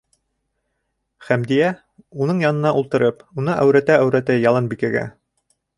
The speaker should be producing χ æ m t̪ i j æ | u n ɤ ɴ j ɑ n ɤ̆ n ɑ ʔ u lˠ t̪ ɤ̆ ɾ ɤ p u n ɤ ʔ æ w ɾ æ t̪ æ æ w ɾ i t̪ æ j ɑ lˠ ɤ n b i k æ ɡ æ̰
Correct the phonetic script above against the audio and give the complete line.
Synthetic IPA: χ æ m d̪ i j æ | u n ɤ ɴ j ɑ n ɤ̆ n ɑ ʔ u lˠ t̪ ɤ̆ ɾ ɤ p u n ɤ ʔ æ w ɾ æ t̪ æ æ w ɾ æ t̪ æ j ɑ lˠ ɤ n b i k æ ɡ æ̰